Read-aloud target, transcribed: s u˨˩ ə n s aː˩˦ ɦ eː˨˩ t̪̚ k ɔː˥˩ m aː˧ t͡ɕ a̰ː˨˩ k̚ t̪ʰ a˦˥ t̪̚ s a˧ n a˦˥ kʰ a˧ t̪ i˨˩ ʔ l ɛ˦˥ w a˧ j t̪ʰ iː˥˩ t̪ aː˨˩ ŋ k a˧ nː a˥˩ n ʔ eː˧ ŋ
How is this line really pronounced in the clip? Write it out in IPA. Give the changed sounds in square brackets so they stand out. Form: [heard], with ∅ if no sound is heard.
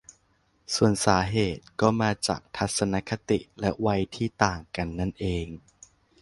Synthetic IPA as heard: s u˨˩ ə n s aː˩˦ ɦ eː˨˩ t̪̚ k ɔː˥˩ m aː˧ t͡ɕ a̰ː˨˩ k̚ t̪ʰ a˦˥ t̪̚ s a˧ n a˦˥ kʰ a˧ t̪ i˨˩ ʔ l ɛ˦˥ w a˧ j t̪ʰ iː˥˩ t̪ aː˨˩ ŋ k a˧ nː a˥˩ n ʔ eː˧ ŋ